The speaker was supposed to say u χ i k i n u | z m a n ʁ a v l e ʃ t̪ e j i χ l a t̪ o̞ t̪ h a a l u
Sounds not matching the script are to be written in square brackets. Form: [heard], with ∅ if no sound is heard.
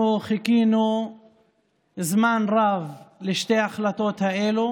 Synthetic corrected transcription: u χ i k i n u | z m a n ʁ a v l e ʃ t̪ e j [a] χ l a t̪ o̞ t̪ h a [e] l u